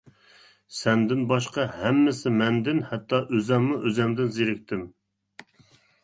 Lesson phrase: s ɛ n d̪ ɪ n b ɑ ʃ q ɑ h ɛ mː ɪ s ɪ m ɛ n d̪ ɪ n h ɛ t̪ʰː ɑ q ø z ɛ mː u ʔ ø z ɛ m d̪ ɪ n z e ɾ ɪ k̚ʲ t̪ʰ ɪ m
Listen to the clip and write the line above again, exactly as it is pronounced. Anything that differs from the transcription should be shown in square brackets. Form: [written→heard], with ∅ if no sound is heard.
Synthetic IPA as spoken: s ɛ n d̪ ɪ n b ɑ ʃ q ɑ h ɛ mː ɪ s ɪ m ɛ n d̪ ɪ n h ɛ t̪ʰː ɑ [q→ʔ] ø z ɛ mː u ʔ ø z ɛ m d̪ ɪ n z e ɾ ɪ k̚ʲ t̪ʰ ɪ m